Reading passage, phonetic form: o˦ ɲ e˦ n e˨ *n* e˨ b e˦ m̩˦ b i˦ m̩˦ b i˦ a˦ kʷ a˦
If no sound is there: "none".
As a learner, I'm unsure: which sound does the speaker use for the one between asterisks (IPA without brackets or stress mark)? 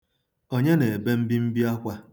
none